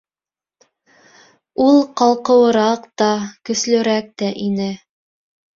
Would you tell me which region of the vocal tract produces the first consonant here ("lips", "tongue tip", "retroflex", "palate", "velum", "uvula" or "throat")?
tongue tip